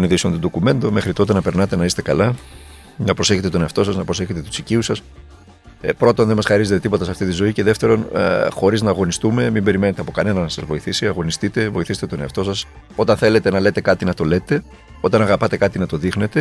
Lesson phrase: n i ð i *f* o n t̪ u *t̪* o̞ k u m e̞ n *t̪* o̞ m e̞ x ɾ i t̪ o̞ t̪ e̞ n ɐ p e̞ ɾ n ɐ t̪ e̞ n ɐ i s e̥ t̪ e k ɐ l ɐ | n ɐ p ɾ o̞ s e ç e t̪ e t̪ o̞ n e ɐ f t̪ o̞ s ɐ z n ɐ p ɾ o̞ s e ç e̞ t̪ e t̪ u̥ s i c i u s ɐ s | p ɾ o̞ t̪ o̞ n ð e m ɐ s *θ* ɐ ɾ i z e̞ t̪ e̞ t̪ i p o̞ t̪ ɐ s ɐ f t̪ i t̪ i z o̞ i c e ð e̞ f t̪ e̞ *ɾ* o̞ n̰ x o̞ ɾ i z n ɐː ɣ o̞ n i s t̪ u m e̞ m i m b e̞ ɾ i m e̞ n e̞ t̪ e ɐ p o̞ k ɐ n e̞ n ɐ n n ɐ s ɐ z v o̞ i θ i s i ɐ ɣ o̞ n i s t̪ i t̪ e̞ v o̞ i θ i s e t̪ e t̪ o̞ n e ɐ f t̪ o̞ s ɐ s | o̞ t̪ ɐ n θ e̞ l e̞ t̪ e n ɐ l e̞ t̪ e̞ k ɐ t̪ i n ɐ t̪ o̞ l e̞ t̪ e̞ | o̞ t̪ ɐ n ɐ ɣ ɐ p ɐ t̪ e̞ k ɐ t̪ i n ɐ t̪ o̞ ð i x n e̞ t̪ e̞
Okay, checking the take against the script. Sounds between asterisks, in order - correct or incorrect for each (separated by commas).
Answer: incorrect, incorrect, incorrect, incorrect, correct